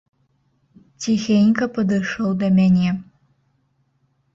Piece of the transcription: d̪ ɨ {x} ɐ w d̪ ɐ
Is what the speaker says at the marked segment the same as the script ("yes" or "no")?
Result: no